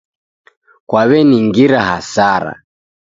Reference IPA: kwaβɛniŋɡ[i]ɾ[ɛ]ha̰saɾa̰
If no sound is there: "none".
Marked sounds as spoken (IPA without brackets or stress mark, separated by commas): i, a